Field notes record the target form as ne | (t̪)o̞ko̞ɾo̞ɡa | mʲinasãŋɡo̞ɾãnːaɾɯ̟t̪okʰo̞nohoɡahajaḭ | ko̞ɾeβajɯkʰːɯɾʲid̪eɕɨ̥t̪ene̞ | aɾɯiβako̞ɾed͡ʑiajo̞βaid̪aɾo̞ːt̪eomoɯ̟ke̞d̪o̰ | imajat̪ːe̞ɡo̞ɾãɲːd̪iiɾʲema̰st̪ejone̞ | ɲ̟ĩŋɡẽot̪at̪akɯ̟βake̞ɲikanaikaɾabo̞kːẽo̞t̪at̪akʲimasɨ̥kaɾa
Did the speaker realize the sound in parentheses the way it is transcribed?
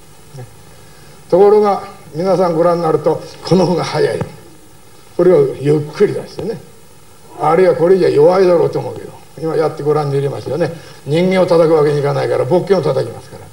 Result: yes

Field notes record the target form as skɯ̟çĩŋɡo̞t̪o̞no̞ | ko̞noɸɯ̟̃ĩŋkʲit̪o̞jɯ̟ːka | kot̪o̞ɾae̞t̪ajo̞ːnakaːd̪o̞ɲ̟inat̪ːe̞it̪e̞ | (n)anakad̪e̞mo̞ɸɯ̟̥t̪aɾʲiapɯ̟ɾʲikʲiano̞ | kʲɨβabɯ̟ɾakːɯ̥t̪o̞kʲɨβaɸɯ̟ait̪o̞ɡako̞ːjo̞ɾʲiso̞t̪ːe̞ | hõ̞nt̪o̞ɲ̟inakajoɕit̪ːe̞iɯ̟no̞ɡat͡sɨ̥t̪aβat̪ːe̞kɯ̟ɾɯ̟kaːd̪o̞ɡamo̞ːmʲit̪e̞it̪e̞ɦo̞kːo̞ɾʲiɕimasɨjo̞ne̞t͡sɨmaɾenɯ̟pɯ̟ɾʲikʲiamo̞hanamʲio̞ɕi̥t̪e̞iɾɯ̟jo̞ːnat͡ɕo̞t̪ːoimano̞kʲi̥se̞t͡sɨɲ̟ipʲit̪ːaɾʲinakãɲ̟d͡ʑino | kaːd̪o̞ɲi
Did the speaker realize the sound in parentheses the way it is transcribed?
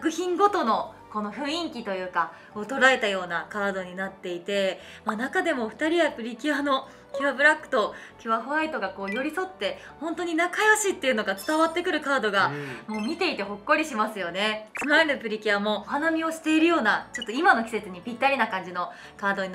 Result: no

